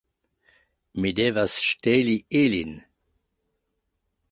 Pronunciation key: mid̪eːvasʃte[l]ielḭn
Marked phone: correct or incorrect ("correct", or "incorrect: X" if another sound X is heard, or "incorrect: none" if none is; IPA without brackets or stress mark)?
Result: correct